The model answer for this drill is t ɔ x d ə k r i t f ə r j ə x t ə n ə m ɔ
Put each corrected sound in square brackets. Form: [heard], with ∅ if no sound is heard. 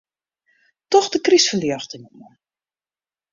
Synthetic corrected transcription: t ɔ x d ə k r i [s] f ə [l] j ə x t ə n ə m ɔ